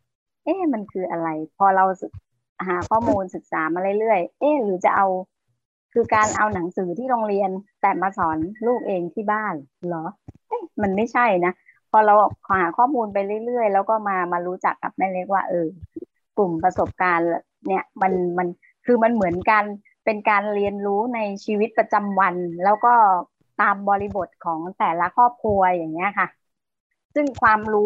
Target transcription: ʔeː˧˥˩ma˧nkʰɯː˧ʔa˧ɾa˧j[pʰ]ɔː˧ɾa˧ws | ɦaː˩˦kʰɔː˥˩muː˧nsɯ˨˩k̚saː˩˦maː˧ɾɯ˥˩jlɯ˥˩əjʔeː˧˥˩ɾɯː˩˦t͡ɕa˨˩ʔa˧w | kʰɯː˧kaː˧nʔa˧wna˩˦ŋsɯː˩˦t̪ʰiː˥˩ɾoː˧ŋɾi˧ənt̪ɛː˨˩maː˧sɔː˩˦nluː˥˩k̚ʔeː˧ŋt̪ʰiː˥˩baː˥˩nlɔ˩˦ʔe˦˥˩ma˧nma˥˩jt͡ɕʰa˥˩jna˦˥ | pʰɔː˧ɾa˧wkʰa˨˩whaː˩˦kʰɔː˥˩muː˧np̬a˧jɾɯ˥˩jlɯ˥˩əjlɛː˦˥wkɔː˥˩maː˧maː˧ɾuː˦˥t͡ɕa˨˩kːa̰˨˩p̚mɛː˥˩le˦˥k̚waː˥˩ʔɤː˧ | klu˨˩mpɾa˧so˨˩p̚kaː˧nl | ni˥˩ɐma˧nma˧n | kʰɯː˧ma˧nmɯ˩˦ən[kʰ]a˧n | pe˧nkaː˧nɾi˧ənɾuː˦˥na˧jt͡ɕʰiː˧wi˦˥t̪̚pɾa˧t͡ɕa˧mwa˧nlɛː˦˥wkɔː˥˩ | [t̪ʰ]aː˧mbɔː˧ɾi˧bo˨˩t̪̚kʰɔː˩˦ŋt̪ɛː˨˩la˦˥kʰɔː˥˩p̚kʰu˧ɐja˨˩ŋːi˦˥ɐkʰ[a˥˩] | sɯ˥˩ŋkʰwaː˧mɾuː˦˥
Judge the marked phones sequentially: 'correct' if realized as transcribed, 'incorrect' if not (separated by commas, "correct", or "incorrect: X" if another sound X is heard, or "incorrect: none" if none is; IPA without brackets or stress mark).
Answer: correct, incorrect: k, incorrect: t̪, correct